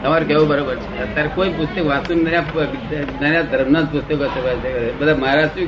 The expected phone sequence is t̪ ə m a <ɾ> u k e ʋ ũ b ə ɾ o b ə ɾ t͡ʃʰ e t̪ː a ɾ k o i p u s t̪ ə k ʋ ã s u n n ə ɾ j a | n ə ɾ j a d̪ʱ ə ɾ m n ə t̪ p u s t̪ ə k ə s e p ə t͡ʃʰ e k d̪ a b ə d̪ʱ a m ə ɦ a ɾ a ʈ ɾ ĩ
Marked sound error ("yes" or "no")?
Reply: no